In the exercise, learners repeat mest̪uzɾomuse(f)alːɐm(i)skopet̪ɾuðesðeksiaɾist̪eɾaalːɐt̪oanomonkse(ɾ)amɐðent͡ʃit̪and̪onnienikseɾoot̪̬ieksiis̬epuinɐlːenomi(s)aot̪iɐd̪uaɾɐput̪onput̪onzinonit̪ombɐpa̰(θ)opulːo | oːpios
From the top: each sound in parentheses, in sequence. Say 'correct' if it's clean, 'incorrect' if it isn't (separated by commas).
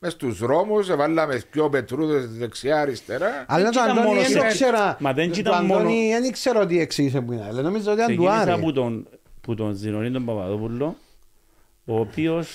incorrect, incorrect, correct, incorrect, incorrect